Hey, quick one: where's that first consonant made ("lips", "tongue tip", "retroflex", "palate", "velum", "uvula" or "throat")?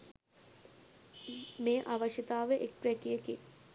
lips